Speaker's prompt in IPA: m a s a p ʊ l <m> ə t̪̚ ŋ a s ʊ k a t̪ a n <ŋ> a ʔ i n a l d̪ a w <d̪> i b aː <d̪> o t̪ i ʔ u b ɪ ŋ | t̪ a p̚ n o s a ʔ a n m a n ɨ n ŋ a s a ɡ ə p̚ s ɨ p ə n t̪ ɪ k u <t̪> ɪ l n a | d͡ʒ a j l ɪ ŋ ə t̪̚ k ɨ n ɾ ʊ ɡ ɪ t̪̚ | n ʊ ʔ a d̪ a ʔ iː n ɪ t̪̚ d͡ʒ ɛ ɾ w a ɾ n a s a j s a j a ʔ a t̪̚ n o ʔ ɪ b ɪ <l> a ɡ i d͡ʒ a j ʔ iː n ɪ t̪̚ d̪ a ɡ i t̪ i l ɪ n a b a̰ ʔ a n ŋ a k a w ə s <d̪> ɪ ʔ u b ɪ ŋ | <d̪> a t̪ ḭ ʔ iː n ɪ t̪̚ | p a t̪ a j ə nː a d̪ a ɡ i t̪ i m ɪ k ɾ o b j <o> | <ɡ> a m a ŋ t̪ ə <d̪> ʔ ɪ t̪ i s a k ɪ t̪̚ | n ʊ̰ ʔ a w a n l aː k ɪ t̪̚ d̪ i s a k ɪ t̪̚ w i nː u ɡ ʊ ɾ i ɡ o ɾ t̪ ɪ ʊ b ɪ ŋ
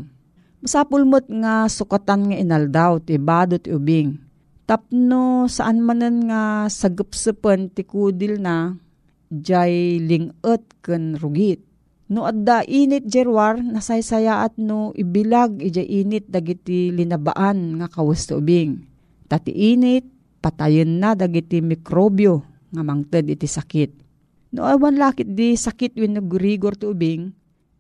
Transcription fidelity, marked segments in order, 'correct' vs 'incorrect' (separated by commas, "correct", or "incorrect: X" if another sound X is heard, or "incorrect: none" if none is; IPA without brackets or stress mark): correct, correct, incorrect: t̪, correct, incorrect: d̪, correct, incorrect: t̪, incorrect: t̪, correct, incorrect: ŋ, correct